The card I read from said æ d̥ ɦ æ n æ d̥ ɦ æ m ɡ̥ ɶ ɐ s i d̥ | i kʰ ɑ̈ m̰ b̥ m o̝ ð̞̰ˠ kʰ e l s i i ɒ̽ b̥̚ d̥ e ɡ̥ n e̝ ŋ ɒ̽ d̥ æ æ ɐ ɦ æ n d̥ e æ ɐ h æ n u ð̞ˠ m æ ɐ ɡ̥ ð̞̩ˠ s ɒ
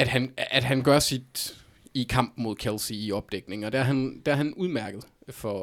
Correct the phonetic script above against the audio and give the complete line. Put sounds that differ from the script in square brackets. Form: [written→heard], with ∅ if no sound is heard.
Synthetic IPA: æ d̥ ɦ æ n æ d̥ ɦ æ [m→n] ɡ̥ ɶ ɐ s i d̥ | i kʰ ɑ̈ m̰ b̥ m o̝ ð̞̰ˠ kʰ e l s i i ɒ̽ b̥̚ d̥ e ɡ̥ n e̝ ŋ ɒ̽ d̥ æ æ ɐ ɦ æ n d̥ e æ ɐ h æ n u ð̞ˠ m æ ɐ ɡ̥ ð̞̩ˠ [s→f] ɒ